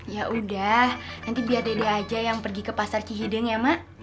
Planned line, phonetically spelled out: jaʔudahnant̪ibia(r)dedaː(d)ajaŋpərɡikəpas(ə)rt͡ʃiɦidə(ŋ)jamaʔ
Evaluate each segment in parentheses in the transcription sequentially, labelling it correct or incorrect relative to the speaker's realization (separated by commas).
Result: correct, incorrect, incorrect, correct